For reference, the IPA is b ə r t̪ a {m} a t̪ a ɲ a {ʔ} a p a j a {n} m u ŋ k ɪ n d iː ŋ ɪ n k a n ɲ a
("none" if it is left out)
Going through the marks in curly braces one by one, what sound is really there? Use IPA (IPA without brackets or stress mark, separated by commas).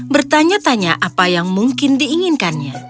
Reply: ɲ, ʔ, ŋ